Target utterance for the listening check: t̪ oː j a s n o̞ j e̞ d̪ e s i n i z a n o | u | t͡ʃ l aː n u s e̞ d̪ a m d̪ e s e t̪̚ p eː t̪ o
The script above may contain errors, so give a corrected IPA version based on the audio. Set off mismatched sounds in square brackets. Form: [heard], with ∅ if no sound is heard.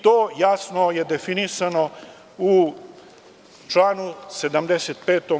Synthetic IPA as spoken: t̪ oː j a s n o̞ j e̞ d̪ e [f] i n i [s] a n o | u | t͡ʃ l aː n u s e̞ d̪ a m d̪ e s e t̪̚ p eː t̪ o